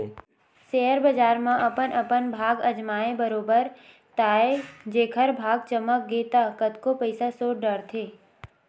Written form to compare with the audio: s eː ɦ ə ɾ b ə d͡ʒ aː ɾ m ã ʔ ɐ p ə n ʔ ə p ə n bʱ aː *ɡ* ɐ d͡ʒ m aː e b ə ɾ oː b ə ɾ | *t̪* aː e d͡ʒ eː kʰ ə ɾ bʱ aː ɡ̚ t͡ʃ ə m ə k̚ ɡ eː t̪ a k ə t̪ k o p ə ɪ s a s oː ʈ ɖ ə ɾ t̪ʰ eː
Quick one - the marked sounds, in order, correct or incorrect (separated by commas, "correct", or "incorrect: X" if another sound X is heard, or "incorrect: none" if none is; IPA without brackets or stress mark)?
correct, correct